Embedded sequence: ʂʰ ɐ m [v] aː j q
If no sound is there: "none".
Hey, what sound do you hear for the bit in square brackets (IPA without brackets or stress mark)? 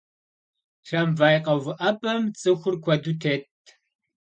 v